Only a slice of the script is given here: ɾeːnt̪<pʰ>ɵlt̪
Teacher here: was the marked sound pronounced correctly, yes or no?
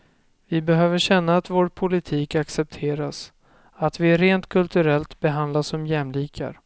no